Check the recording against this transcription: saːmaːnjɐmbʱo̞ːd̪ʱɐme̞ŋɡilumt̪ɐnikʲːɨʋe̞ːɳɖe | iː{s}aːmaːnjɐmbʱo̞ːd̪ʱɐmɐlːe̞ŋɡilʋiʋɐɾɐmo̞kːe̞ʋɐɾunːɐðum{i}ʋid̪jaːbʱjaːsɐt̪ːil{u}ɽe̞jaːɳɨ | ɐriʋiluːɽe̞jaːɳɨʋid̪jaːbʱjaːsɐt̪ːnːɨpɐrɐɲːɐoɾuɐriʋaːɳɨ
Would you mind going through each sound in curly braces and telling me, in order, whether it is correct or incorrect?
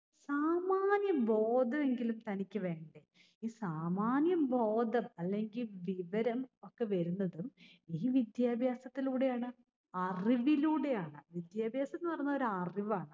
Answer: correct, incorrect, incorrect

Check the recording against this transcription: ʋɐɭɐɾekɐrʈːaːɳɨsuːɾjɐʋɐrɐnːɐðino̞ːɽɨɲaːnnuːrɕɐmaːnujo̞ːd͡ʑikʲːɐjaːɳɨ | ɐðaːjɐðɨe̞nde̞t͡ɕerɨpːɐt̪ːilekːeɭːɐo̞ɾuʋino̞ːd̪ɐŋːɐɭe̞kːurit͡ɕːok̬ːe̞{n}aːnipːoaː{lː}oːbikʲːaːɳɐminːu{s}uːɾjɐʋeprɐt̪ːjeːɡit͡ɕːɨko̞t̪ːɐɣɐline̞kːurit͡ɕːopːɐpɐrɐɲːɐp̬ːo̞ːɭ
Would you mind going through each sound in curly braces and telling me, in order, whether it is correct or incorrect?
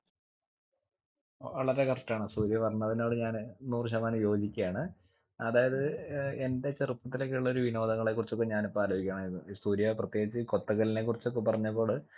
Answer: incorrect, incorrect, correct

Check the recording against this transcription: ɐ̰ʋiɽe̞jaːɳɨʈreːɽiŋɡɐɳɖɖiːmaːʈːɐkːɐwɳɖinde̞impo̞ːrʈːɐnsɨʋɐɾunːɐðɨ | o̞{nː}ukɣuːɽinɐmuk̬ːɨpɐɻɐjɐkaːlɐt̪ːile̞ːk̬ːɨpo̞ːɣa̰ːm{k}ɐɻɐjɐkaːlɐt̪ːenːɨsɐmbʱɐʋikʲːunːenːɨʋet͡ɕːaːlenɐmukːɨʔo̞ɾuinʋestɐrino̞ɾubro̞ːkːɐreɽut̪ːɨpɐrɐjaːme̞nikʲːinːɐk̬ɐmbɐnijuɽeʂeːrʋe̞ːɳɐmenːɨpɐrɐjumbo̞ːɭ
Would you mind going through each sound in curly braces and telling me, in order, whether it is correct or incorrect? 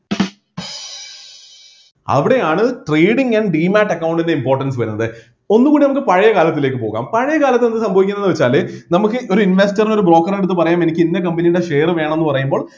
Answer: correct, incorrect

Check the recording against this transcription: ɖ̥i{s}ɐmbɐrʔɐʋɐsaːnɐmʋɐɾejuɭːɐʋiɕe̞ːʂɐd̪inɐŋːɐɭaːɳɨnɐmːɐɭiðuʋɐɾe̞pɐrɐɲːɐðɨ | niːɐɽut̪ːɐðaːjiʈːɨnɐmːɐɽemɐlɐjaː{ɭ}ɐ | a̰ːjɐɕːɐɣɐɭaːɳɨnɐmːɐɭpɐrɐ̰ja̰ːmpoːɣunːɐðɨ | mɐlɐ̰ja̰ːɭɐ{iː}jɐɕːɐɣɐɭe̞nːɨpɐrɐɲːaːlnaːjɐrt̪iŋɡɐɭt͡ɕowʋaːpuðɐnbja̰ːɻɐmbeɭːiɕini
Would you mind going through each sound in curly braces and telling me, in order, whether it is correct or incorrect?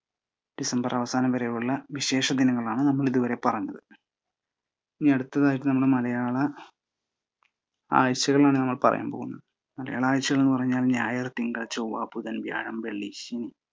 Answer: correct, correct, incorrect

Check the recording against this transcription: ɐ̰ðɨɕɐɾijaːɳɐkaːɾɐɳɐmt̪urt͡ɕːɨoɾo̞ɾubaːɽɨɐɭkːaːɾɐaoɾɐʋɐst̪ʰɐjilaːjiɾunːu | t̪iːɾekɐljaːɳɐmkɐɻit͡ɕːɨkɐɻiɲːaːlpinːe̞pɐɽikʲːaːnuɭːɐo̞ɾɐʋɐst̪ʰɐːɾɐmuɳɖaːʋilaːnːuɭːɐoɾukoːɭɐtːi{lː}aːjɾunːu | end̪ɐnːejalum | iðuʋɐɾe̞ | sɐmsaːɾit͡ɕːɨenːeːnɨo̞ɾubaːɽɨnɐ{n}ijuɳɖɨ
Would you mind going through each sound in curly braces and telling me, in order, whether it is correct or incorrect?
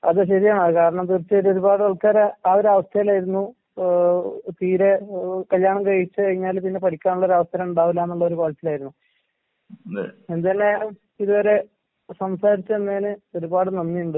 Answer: incorrect, incorrect

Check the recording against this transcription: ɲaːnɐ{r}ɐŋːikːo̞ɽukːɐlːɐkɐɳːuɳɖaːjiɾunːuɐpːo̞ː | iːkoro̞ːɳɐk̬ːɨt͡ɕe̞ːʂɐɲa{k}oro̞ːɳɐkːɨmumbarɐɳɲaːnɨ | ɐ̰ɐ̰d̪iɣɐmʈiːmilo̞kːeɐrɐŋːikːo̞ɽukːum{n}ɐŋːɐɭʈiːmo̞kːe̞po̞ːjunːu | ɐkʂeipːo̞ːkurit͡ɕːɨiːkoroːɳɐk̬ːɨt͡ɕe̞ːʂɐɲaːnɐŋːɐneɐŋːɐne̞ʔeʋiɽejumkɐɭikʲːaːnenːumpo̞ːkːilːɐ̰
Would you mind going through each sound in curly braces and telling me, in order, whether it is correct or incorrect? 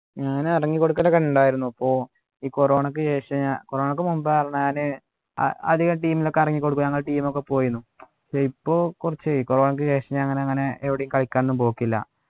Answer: correct, correct, incorrect

